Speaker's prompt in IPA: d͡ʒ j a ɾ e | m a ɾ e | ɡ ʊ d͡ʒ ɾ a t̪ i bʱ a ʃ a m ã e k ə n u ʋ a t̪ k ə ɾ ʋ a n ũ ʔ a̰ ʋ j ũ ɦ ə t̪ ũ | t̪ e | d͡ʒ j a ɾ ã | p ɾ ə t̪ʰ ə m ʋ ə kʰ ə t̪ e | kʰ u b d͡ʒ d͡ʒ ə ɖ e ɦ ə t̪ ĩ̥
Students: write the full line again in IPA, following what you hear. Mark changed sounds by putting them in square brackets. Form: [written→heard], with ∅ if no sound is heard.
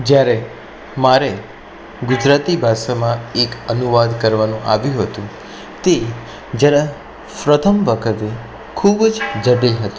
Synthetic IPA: d͡ʒ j a ɾ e | m a ɾ e | ɡ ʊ d͡ʒ ɾ a t̪ i bʱ a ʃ a m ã e k ə n u ʋ a [t̪→d̪] k ə ɾ ʋ a n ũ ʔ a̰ ʋ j ũ ɦ ə t̪ ũ | t̪ e | d͡ʒ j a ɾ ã | p ɾ ə t̪ʰ ə m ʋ ə kʰ ə t̪ e | kʰ u b d͡ʒ d͡ʒ ə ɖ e ɦ ə t̪ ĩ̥

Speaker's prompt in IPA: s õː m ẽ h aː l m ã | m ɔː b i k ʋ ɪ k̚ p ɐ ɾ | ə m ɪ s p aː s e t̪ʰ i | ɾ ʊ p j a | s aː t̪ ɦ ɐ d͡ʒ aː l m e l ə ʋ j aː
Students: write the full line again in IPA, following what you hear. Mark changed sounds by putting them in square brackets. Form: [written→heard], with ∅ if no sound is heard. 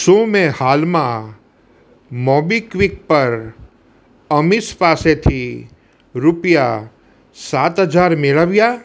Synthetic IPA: s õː m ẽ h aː l m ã | m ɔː b i k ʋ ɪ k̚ p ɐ ɾ | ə m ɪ s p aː s e t̪ʰ i | ɾ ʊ p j a | s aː t̪ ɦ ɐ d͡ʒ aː [l→ɾ] m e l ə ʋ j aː

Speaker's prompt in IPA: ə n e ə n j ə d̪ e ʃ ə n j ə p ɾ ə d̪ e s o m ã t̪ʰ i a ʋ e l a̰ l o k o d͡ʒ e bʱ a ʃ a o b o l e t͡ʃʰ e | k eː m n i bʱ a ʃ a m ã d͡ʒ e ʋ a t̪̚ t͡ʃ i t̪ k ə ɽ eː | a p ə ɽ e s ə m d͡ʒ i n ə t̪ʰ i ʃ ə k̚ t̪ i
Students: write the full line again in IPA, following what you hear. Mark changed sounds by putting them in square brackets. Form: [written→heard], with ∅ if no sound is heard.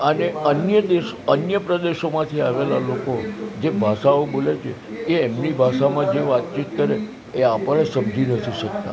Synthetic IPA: ə n e ə n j ə d̪ e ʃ ə n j ə p ɾ ə d̪ e [s→ʃ] o m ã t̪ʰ i a ʋ e l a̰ l o k o d͡ʒ e bʱ a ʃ a o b o l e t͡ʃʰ e | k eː m n i bʱ a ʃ a m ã d͡ʒ e ʋ a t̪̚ t͡ʃ i t̪ k ə [ɽ→ɾ] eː | a p ə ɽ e s ə m d͡ʒ i n ə t̪ʰ i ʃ ə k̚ t̪ [i→a]

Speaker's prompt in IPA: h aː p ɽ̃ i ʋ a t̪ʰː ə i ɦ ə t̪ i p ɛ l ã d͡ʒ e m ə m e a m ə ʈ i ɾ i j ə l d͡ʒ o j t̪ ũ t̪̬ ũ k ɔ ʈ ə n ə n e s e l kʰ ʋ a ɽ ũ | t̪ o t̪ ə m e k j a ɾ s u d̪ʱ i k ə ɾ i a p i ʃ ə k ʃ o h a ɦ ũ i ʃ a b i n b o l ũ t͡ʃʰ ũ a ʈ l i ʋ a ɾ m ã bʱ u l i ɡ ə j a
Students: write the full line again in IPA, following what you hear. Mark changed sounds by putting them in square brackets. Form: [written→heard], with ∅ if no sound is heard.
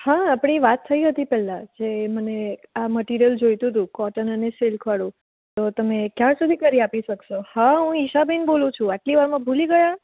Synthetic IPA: h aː p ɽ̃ i ʋ a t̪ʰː ə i ɦ ə t̪ i p ɛ l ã d͡ʒ e m ə [m→n] e a m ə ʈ i ɾ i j ə l d͡ʒ o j t̪ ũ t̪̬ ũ k ɔ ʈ ə n ə n e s e l kʰ ʋ a ɽ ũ | t̪ o t̪ ə m e k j a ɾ s u d̪ʱ i k ə ɾ i a p i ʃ ə k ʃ o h a ɦ ũ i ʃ a b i n b o l ũ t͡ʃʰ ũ a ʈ l i ʋ a ɾ m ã bʱ u l i ɡ ə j a

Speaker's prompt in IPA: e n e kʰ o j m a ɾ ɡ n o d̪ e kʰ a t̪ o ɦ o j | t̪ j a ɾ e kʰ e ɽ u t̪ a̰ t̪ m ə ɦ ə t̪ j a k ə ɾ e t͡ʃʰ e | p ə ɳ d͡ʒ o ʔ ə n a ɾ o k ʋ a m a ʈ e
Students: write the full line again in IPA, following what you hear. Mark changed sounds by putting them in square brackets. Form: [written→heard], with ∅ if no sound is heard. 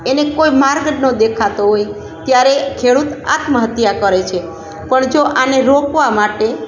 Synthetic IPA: e n e [kʰ→k] o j m a ɾ ɡ n o d̪ e kʰ a t̪ o ɦ o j | t̪ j a ɾ e kʰ e ɽ u t̪ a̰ t̪ m ə ɦ ə t̪ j a k ə ɾ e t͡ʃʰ e | p ə ɳ d͡ʒ o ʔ [ə→a] n [a→e] ɾ o k ʋ a m a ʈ e

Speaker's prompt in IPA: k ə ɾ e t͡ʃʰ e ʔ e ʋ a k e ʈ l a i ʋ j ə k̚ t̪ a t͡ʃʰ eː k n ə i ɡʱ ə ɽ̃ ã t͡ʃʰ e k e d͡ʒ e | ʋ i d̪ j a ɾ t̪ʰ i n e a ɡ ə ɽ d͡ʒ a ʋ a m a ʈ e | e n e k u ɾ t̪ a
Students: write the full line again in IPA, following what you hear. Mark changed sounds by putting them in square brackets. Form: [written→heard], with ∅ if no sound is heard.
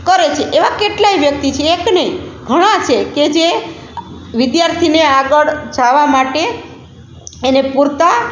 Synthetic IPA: k ə ɾ e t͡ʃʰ e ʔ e ʋ a k e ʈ l a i ʋ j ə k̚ t̪ [a→i] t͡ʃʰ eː k n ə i ɡʱ ə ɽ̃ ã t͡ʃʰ e k e d͡ʒ e | ʋ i d̪ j a ɾ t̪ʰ i n e a ɡ ə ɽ d͡ʒ a ʋ a m a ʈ e | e n e [k→p] u ɾ t̪ a

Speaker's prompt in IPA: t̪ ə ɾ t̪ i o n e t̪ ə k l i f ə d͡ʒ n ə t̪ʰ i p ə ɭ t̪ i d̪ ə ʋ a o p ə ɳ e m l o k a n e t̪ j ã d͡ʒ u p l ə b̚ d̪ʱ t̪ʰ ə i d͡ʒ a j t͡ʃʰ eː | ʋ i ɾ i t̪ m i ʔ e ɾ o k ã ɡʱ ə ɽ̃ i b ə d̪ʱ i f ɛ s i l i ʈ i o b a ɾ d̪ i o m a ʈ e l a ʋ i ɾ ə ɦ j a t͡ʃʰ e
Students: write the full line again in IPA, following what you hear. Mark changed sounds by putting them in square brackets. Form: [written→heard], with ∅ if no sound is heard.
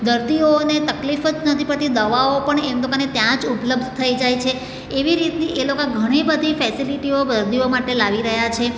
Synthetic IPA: [t̪→d̪] ə ɾ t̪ i o n e t̪ ə k l i f ə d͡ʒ n ə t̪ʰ i p ə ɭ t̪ i d̪ ə ʋ a o p ə ɳ e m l o k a n e t̪ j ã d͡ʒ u p l ə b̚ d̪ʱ t̪ʰ ə i d͡ʒ a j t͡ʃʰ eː | ʋ i ɾ i t̪ [m→n] i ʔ e [ɾ→l] o k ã ɡʱ ə ɽ̃ i b ə d̪ʱ i f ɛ s i l i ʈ i o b [a→ə] ɾ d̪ i o m a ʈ e l a ʋ i ɾ ə ɦ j a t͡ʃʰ e

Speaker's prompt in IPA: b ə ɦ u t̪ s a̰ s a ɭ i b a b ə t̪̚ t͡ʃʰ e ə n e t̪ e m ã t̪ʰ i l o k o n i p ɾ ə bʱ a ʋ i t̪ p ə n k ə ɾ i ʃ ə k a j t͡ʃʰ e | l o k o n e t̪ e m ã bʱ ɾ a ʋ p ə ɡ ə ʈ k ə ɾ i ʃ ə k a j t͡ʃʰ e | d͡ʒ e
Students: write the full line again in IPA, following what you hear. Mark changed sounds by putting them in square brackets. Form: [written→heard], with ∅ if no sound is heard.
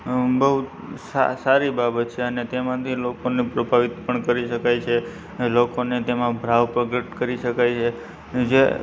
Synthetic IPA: b ə ɦ u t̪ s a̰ s a [ɭ→ɾ] i b a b ə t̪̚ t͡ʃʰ e ə n e t̪ e m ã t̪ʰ i l o k o n i p ɾ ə bʱ a ʋ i t̪ p ə [n→ɳ] k ə ɾ i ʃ ə k a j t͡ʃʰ e | l o k o n e t̪ e m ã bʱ ɾ a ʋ p ə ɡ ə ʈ k ə ɾ i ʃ ə k a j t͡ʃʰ e | d͡ʒ e

